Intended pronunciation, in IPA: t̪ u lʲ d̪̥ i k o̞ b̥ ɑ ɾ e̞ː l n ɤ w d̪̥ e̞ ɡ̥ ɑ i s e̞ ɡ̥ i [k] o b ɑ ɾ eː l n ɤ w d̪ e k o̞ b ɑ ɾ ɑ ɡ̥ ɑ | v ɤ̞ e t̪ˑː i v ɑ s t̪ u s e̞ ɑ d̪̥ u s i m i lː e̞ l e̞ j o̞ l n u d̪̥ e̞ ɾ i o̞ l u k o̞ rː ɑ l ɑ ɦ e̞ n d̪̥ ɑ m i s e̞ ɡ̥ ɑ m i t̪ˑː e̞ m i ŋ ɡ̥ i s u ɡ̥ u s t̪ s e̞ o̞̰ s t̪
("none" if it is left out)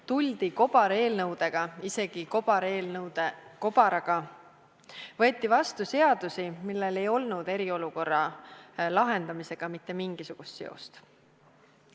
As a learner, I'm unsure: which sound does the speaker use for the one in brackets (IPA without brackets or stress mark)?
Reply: k